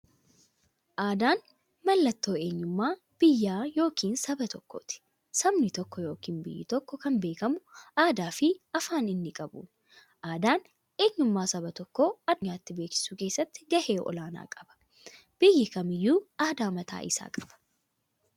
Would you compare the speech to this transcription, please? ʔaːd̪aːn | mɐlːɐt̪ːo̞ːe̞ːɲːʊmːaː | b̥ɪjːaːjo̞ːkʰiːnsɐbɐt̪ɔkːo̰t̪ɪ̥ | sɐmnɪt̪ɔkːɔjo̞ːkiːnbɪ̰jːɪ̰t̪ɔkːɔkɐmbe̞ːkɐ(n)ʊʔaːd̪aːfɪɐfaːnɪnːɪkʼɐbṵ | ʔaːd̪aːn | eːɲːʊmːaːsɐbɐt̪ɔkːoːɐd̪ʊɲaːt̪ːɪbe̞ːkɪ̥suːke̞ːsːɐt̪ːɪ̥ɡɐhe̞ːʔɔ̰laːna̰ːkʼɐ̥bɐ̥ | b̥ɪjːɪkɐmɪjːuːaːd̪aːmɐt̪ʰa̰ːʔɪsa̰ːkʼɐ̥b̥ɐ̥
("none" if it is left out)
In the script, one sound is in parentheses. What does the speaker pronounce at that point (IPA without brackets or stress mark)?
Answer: m